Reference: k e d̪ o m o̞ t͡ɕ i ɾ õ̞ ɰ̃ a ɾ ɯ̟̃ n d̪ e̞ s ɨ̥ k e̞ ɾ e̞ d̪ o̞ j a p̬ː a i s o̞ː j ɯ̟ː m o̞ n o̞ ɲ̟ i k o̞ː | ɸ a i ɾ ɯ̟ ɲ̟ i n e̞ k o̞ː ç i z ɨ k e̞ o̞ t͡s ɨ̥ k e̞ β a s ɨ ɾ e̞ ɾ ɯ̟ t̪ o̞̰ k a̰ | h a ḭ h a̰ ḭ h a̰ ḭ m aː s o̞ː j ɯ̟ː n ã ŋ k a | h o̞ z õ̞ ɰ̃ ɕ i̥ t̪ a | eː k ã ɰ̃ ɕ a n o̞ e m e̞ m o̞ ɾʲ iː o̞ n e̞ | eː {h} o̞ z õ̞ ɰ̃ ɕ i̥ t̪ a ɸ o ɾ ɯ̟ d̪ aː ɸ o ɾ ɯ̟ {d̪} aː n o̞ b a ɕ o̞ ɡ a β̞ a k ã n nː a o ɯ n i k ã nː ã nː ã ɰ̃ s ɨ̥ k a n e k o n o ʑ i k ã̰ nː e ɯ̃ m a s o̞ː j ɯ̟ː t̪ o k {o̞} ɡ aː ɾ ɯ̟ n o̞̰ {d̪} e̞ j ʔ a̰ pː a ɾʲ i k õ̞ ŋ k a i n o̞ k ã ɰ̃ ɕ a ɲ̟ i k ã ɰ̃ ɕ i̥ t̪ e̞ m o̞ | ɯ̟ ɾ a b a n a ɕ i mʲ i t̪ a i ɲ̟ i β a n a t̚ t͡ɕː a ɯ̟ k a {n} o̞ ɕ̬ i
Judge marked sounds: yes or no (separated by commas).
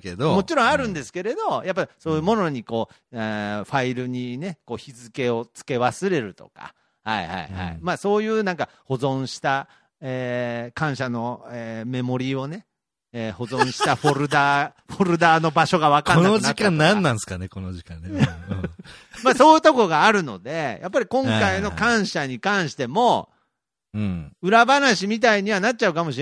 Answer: yes, yes, yes, yes, no